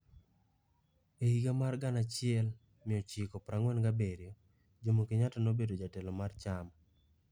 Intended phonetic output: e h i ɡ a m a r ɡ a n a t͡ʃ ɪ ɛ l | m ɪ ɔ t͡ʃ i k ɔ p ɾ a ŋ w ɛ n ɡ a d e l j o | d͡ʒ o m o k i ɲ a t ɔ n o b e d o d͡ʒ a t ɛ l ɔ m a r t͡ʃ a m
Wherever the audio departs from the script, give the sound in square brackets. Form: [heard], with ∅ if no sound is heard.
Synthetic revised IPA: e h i ɡ a m a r ɡ a n a t͡ʃ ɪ ɛ l | m ɪ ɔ t͡ʃ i k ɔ p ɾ a ŋ w ɛ n ɡ a [b] e [ɾ] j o | d͡ʒ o m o k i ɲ a t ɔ n o b e d o d͡ʒ a t ɛ l ɔ m a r t͡ʃ a m